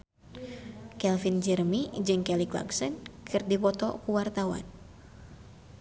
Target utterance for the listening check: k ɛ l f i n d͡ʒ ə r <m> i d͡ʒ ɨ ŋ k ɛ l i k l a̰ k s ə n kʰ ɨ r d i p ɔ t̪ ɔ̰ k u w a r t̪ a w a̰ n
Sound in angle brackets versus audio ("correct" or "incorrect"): correct